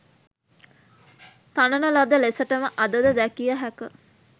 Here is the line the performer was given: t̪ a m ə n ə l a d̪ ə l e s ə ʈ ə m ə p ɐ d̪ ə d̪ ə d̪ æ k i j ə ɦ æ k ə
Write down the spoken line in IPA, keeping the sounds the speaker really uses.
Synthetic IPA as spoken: t̪ a n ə n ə l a d̪ ə l e s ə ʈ ə m ə ʔ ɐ d̪ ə d̪ ə d̪ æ k i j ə ɦ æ k ə